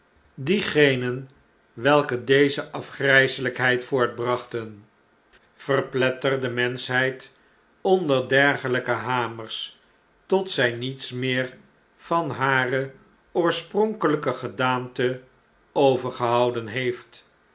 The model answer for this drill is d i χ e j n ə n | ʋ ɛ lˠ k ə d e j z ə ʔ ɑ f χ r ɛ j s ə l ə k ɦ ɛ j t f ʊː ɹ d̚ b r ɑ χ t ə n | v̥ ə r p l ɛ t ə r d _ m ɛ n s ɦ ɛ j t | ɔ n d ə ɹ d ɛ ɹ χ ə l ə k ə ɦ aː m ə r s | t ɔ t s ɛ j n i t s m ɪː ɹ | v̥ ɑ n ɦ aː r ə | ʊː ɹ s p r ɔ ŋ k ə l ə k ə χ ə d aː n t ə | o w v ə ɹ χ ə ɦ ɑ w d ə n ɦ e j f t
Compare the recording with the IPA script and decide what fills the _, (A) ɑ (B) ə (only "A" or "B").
B